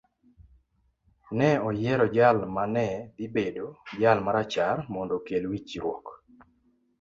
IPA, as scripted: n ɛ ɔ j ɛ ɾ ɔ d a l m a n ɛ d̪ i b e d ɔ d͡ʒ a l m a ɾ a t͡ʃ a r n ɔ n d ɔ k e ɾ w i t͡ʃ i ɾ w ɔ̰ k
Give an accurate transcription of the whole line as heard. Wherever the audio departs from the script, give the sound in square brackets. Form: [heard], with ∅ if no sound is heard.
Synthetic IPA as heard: n ɛ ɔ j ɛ ɾ ɔ [d͡ʒ] a l m a n ɛ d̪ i b e d [o] d͡ʒ a l m a ɾ a t͡ʃ a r [m] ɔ n d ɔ k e [l] w i t͡ʃ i ɾ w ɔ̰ k

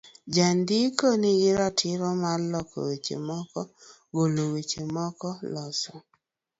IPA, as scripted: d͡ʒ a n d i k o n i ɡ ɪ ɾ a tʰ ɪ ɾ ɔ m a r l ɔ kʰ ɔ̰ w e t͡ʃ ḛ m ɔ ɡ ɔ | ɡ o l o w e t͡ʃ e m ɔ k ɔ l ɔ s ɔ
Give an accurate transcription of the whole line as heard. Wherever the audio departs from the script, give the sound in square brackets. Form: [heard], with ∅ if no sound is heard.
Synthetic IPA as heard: d͡ʒ a n d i k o n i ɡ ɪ ɾ a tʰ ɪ ɾ ɔ m a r l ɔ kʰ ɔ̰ w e t͡ʃ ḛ m ɔ [k] ɔ | ɡ o l o w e t͡ʃ e m ɔ k ɔ l ɔ s ɔ

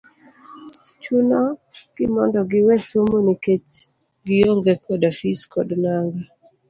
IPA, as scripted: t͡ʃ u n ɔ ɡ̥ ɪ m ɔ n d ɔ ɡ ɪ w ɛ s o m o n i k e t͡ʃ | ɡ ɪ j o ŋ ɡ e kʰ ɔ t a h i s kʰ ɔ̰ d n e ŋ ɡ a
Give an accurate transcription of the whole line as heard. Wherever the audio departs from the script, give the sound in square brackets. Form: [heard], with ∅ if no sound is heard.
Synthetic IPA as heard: t͡ʃ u n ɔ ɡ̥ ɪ m ɔ n d ɔ ɡ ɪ w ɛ s o m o n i k e t͡ʃ | ɡ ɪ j o ŋ ɡ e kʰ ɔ [d] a [f] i s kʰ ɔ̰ d n [a] ŋ ɡ a

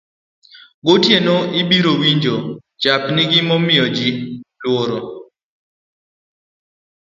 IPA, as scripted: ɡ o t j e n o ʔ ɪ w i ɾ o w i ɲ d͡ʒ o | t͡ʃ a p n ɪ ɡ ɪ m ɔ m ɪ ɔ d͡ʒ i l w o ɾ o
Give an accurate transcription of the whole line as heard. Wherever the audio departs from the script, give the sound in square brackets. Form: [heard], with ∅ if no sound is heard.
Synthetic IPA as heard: ɡ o t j e n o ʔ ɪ [b] i ɾ o w i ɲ d͡ʒ o | t͡ʃ a p n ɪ ɡ ɪ m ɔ m ɪ ɔ d͡ʒ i l w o ɾ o

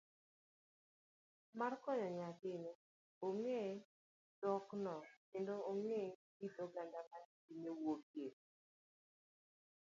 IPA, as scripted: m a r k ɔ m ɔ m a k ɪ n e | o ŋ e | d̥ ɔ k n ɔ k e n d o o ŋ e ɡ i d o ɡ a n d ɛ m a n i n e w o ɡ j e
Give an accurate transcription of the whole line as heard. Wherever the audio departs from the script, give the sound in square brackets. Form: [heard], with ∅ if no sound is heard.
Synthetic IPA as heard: m a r k ɔ [ɲ] ɔ [ɲ] a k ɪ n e | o ŋ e | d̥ ɔ k n ɔ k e n d o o ŋ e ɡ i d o ɡ a n d [a] m a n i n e w o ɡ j e

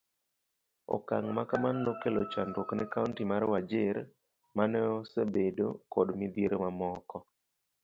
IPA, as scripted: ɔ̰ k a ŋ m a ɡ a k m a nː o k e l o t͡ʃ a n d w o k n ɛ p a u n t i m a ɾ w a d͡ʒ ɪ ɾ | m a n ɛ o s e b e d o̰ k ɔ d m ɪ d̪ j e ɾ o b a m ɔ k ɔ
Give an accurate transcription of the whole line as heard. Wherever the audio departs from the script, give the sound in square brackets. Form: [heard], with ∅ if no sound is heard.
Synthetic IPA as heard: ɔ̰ k a ŋ m a [k] a [∅] m a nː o k e l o t͡ʃ a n d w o k n ɛ [k] a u n t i m a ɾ w a d͡ʒ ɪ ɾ | m a n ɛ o s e b e d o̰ k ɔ d m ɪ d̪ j e ɾ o [m] a m ɔ k ɔ

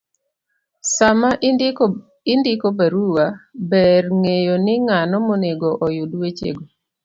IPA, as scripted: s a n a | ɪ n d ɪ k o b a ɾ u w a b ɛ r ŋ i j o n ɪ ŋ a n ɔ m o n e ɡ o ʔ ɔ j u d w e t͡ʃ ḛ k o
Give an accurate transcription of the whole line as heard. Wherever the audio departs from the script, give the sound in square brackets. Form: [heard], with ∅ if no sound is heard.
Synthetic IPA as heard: s a [m] a | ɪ n d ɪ k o b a ɾ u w a b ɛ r ŋ [e] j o n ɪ ŋ a n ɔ m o n e ɡ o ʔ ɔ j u d w e t͡ʃ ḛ [ɡ] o

